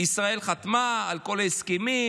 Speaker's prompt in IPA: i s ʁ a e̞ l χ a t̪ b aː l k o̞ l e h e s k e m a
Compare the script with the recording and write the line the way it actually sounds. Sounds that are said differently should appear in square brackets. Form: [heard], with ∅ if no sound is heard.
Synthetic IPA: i s ʁ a e̞ l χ a t̪ [m] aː l k o̞ l [a] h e s k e m [i]